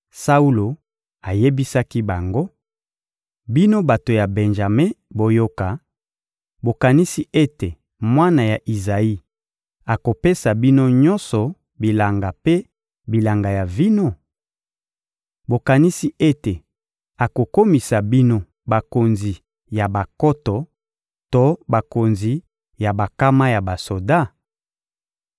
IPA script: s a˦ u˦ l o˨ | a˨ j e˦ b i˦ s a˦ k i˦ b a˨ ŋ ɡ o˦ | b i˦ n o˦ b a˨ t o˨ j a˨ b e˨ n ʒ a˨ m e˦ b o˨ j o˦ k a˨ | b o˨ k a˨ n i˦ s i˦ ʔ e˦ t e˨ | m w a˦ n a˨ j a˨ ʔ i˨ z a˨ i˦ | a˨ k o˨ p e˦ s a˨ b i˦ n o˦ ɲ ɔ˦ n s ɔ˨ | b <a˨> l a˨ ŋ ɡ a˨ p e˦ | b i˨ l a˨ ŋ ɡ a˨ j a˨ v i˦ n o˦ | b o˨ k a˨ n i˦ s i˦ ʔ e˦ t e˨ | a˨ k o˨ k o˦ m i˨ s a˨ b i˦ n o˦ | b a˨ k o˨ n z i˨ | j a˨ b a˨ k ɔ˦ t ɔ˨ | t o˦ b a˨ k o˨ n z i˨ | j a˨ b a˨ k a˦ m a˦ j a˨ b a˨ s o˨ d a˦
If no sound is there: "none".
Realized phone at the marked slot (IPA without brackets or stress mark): i˨